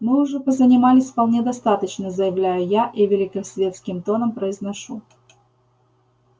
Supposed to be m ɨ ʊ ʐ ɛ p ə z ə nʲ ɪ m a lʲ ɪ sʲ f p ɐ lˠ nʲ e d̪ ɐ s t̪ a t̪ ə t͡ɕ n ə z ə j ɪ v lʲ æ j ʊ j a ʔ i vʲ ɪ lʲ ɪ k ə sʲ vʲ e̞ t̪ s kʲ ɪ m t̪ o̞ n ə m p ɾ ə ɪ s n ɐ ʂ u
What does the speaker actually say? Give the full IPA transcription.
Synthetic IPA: m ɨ ʊ ʐ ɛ p ə z ə nʲ ɪ m a lʲ ɪ sʲ f p ɐ lˠ nʲ e d̪ ɐ s t̪ a t̪ ə t͡ɕ n ə z ə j ɪ v lʲ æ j ʊ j a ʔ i vʲ ɪ lʲ ɪ k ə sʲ vʲ e̞ t̪ s kʲ ɪ m t̪ o̞ n ə m p ɾ ə ɪ z n ɐ ʂ u

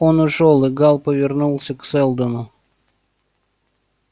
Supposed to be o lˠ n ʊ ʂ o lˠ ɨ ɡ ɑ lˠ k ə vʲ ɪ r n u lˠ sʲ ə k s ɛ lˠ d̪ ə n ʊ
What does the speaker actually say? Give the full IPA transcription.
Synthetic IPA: o n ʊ ʂ o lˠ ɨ ɡ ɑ lˠ p ə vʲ ɪ r n u lˠ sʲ ə k s ɛ lˠ d̪ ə n ʊ

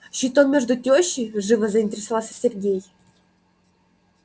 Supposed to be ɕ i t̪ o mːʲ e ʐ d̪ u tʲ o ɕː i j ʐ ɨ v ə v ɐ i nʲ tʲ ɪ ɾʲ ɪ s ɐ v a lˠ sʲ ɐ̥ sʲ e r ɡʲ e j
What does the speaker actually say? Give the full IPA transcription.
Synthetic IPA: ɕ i t̪ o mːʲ e ʐ d̪ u tʲ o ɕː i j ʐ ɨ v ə z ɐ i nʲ tʲ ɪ ɾʲ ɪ s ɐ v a lˠ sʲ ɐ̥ sʲ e r ɡʲ e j

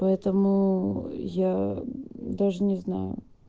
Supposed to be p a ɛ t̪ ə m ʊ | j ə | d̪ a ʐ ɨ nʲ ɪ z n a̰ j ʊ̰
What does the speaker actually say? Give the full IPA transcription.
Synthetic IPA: p ɐ ɛ t̪ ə m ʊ | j a | d̪ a ʐ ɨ nʲ ɪ z n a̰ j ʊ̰

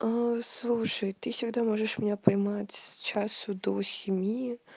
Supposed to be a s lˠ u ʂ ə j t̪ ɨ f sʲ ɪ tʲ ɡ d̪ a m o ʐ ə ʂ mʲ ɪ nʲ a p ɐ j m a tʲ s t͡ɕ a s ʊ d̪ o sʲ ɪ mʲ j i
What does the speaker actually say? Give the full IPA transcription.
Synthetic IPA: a s lˠ u ʂ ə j t̪ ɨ f sʲ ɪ ɡ d̪ a m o ʐ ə ʂ mʲ ɪ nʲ a p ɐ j m a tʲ s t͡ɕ a s ʊ d̪ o sʲ ɪ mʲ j i

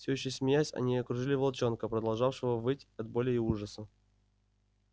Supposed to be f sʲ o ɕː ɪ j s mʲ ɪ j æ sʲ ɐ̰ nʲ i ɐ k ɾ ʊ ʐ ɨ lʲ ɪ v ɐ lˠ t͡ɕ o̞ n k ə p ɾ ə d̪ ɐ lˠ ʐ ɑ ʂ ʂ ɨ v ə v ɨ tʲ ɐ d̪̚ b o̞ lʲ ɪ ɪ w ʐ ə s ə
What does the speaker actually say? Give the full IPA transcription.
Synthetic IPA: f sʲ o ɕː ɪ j s mʲ ɪ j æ sʲ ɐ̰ nʲ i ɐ k ɾ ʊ ʐ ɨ lʲ ɪ v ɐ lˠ t͡ɕ o̞ n k ə p ɾ ə d̪ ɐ lˠ ʐ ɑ f ʂ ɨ v ə v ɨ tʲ ɐ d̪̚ b o̞ lʲ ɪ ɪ u ʐ ə s ə

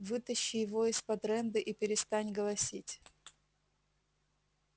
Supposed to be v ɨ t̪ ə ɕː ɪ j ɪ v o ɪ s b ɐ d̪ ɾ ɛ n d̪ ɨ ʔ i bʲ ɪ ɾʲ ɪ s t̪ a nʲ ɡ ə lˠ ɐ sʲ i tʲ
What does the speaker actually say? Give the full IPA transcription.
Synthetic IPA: v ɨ t̪ ə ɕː ɪ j ɪ v o ɪ s p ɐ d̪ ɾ ɛ n d̪ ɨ ʔ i pʲ ɪ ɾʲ ɪ s t̪ a nʲ ɡ ə lˠ ɐ sʲ i tʲ

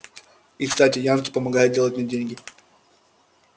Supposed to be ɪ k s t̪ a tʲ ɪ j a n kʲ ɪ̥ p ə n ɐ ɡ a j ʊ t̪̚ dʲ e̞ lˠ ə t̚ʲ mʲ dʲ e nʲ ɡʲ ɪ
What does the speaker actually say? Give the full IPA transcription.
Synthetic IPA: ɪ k s t̪ a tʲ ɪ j a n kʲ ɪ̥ p ə m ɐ ɡ a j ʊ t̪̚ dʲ e̞ lˠ ə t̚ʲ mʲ dʲ e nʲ ɡʲ ɪ

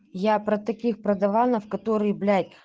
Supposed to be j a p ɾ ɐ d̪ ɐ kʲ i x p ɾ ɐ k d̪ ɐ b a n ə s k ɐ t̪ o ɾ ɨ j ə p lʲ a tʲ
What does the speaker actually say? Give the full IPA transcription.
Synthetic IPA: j a p ɾ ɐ t̪ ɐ kʲ i x p ɾ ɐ d̪ ɐ v a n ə f k ɐ t̪ o ɾ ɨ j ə b lʲ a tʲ

